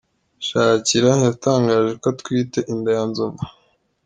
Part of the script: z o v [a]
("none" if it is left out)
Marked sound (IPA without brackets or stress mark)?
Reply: a